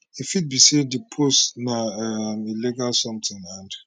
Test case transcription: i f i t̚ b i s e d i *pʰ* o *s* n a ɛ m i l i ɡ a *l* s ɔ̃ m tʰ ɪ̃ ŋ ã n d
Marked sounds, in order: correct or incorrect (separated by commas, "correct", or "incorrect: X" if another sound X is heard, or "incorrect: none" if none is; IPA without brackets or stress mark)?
correct, correct, correct